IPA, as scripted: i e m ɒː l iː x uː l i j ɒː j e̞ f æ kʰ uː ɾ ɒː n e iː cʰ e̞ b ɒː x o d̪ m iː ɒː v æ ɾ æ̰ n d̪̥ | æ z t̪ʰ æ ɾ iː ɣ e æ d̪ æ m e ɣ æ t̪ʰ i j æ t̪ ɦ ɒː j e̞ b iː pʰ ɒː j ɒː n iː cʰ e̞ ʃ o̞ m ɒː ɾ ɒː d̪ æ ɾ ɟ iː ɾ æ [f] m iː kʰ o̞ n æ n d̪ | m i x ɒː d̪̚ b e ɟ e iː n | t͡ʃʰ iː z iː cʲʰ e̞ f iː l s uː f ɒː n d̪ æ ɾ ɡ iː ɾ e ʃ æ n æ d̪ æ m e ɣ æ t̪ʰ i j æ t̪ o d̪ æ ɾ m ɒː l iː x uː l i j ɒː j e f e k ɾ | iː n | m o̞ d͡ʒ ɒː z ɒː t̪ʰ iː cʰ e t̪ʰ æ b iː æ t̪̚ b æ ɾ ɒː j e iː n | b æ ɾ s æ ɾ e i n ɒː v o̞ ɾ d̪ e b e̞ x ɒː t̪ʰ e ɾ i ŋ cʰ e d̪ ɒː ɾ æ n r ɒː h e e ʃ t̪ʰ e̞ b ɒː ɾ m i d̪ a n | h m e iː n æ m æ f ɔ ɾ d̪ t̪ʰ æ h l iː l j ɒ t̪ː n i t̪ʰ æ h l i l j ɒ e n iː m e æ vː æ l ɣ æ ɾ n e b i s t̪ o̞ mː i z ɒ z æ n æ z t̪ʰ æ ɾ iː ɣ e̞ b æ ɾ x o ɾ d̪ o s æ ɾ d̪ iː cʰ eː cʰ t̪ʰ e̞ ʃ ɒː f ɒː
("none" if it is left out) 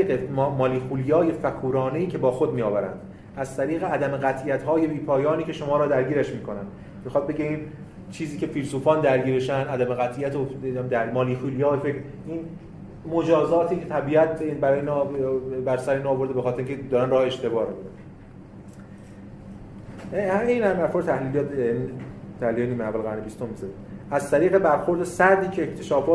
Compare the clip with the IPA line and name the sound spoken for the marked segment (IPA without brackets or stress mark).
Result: ʃ